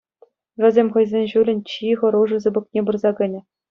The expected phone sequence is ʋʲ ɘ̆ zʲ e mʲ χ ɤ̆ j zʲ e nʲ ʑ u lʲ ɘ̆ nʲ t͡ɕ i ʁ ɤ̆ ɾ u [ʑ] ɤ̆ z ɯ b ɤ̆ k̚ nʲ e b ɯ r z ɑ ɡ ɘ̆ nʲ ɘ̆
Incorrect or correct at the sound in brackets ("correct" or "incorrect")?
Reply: incorrect